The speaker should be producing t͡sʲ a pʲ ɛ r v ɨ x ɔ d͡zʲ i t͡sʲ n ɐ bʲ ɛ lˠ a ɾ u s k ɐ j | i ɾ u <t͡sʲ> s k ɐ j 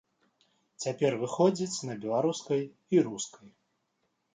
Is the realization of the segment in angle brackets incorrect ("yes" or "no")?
yes